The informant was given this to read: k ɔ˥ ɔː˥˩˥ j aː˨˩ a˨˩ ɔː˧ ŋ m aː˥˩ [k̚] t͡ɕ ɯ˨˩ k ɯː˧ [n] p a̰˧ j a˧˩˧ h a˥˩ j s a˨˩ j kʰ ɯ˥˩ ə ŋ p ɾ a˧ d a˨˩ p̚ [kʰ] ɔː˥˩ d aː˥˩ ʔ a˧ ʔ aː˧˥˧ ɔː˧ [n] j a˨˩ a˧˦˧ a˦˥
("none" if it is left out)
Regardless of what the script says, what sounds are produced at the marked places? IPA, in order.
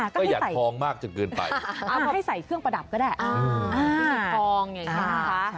k̚, n, k, ŋ

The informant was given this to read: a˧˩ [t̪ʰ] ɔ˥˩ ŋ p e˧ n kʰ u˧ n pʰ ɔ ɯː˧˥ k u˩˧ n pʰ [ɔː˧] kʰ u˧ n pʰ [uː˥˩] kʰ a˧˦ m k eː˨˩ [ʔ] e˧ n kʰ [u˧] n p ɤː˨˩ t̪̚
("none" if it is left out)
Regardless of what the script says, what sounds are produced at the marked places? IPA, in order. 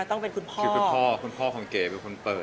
t̪, ɔː˥˩, ɔː˥˩, p, o˧

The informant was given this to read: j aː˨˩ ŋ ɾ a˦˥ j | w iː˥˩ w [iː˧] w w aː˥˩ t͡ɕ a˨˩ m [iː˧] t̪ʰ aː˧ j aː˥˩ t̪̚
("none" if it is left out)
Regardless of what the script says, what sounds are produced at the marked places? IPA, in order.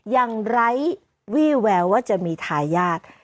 ɛː˧, iː˧

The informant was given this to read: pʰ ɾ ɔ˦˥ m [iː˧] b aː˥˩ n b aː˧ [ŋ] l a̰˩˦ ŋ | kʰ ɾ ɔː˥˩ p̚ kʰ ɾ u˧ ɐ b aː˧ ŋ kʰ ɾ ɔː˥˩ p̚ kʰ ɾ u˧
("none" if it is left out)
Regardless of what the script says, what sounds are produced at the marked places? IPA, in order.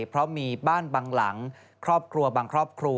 iː˧, ŋ

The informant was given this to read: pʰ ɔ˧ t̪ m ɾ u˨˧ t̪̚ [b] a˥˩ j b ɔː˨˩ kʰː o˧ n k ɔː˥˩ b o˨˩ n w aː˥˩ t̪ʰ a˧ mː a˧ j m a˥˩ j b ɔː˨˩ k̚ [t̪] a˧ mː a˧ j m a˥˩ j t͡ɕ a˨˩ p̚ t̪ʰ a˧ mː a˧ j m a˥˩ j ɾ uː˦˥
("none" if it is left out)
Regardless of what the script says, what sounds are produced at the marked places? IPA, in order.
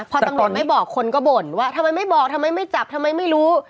m, t̪ʰ

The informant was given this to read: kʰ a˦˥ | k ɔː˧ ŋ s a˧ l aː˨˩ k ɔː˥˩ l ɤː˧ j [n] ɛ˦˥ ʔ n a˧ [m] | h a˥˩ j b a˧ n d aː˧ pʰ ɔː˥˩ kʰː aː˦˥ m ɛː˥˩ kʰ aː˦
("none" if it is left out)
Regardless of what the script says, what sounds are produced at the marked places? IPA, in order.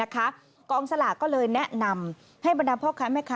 n, m

